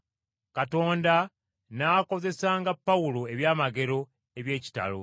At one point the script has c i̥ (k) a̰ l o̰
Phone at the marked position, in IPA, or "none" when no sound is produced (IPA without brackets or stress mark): t